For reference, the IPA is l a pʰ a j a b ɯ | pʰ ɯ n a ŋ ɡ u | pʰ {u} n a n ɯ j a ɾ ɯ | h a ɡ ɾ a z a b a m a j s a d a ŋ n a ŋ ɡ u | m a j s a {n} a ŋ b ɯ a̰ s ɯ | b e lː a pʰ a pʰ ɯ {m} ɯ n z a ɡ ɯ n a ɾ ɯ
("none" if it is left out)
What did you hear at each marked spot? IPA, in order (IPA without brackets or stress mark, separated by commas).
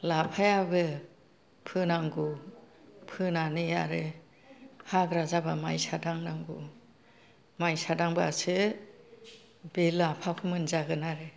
ɯ, d, m